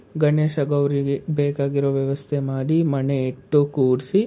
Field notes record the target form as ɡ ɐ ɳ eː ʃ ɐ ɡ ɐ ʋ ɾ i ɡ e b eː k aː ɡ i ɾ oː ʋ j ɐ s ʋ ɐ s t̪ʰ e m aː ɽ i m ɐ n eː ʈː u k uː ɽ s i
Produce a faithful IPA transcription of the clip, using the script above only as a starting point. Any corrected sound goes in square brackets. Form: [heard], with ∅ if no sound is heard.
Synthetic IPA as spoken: ɡ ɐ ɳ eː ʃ ɐ ɡ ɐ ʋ ɾ i ɡ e b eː k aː ɡ i ɾ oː ʋ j ɐ [∅] ʋ ɐ s t̪ʰ e m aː ɽ i m ɐ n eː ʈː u k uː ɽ s i

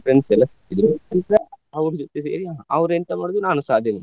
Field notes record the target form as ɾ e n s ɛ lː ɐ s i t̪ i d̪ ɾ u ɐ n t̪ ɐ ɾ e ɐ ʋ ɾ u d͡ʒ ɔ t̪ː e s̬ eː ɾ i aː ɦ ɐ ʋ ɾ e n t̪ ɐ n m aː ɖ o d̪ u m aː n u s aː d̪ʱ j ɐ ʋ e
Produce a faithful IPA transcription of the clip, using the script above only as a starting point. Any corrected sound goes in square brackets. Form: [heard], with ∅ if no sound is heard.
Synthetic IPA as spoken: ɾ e n s ɛ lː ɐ s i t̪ i d̪ ɾ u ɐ n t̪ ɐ ɾ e ɐ ʋ ɾ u d͡ʒ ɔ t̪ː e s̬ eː ɾ i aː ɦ ɐ ʋ ɾ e n t̪ ɐ [∅] m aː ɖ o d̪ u [n] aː n u s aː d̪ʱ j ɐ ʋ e

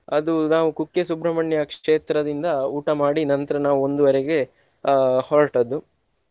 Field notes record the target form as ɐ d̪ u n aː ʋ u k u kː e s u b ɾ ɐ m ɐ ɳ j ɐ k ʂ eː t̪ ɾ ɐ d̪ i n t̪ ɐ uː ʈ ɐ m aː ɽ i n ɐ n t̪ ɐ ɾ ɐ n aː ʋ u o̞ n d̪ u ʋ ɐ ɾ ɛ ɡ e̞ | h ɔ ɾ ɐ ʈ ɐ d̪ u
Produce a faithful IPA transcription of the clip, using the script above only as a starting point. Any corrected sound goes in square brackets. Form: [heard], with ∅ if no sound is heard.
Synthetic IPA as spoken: ɐ d̪ u n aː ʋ u k u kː e s u b ɾ ɐ m ɐ ɳ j ɐ k ʂ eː t̪ ɾ ɐ d̪ i n [d̪] ɐ uː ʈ ɐ m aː ɽ i n ɐ n t̪ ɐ ɾ ɐ n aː ʋ u o̞ n d̪ u ʋ ɐ ɾ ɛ ɡ e̞ | h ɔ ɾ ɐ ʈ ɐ d̪ u

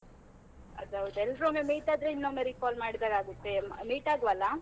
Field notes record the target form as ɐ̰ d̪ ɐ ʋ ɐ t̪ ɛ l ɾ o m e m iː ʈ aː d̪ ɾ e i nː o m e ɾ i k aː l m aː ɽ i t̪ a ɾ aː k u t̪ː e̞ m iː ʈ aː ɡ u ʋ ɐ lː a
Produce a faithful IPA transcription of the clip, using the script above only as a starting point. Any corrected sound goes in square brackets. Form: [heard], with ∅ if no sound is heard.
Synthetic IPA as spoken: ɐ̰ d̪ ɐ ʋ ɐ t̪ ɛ l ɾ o m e m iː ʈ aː d̪ ɾ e i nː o m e ɾ i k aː l m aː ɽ i [d̪] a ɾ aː [ɡ] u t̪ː e̞ m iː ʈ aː ɡ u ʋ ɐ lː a

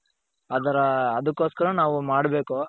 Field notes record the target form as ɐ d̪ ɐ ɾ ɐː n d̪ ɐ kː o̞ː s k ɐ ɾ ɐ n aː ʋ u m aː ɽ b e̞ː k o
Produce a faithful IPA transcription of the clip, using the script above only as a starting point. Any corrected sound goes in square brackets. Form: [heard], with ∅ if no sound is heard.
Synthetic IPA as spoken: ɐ d̪ ɐ ɾ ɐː [∅] d̪ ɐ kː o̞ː s k ɐ ɾ ɐ n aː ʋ u m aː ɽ b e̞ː k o

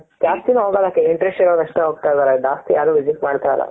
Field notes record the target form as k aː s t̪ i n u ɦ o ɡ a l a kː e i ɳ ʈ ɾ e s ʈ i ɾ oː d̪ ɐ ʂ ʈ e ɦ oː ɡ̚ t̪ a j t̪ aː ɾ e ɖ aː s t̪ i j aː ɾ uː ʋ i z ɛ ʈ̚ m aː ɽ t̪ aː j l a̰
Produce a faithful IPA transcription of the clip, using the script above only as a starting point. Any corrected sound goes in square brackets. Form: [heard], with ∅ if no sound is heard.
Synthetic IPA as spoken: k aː s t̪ i n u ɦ o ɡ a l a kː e i ɳ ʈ ɾ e s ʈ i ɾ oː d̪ ɐ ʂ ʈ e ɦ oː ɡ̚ t̪ a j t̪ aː ɾ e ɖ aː s t̪ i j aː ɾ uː ʋ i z [i] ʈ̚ m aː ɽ t̪ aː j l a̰

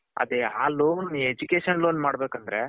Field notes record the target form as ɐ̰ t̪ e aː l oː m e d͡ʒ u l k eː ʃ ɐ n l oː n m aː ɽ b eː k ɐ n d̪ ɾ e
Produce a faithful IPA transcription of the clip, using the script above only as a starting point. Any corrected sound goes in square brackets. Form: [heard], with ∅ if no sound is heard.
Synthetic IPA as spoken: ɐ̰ [d̪] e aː l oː [n] e d͡ʒ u [∅] k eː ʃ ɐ n l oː n m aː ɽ b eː k ɐ n d̪ ɾ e

